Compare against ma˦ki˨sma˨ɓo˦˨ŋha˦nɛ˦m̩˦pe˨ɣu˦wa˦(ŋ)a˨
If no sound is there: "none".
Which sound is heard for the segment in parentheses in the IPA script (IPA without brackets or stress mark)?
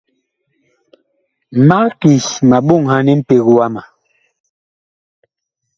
m